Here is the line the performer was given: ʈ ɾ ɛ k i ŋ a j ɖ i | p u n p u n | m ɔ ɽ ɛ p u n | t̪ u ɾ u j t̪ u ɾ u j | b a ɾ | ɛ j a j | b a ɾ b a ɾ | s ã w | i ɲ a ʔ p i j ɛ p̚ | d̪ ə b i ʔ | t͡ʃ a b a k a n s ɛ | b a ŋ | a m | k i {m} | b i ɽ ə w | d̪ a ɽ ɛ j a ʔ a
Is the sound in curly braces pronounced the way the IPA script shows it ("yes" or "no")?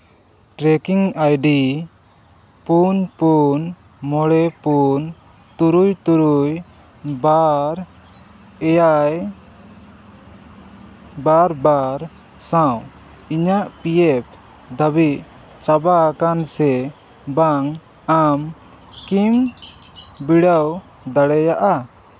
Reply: yes